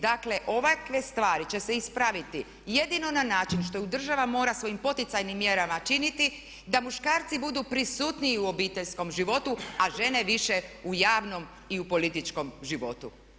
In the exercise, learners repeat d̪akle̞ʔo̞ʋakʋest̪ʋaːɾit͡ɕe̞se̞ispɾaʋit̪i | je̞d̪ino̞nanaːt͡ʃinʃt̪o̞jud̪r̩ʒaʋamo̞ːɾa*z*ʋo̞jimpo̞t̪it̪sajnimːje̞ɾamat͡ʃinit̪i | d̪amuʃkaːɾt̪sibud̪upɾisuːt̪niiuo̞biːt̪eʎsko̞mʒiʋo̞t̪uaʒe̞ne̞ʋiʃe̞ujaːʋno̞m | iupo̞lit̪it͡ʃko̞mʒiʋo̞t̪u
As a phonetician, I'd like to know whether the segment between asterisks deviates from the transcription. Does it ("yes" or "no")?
yes